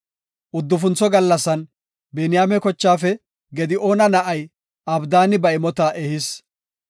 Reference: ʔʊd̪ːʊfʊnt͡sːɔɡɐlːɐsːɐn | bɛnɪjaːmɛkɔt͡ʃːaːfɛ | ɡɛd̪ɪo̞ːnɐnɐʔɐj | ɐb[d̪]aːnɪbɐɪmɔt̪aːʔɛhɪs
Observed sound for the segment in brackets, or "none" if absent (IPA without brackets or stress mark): d̪